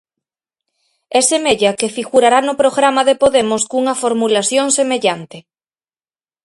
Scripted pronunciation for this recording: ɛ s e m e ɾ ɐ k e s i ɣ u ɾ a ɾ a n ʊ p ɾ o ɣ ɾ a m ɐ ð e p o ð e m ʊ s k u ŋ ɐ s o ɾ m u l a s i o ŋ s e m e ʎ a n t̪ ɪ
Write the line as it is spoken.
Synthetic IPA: ɛ s e m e ʎ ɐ k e f i ɣ u ɾ a ɾ a n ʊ p ɾ o ɣ ɾ a m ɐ ð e p o ð e m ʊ s k u ŋ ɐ f o ɾ m u l a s j o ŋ s e m e ʎ a n t̪ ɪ

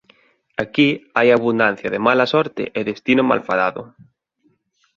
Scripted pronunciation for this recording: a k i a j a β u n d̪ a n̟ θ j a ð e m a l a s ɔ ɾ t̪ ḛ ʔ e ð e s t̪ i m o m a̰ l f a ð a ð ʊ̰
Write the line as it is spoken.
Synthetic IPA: a k i a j a β u n d̪ a n̟ θ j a ð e m a l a s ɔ ɾ t̪ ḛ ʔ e ð e s t̪ i n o m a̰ l f a ð a ð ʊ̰

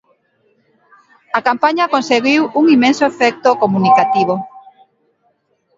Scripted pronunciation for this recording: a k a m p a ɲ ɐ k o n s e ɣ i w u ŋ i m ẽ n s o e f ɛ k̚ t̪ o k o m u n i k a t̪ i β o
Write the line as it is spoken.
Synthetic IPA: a k a m p a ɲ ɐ k o n s e ɣ i w u ŋ i m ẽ n s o e f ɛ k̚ t̪ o k o m u n i k a t̪ i β o

